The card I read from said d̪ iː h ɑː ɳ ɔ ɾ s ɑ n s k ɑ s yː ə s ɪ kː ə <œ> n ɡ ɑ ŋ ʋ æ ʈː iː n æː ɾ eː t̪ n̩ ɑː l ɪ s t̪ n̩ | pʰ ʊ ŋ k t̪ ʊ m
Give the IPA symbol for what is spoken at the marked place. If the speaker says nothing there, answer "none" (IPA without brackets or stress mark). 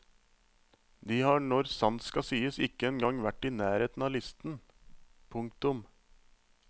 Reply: ɛ